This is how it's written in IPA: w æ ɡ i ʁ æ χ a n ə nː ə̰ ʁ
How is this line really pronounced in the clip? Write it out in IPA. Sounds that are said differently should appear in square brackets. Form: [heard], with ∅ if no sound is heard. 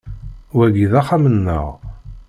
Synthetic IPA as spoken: w æ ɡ i [ð] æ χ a [m] ə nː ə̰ ʁ